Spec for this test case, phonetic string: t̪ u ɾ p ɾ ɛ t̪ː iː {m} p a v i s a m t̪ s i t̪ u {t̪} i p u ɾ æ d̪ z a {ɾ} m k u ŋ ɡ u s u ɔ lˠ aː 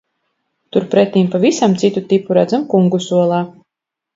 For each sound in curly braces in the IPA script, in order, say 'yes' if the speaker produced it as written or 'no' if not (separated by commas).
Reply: yes, yes, no